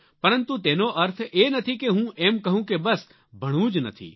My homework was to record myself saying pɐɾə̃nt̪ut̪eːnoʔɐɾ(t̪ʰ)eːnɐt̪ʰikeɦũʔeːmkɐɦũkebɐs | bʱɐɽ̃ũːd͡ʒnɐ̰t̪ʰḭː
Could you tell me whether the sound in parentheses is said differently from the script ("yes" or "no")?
no